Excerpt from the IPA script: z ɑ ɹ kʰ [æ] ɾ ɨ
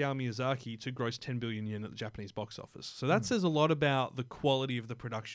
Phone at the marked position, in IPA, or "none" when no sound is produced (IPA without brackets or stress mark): i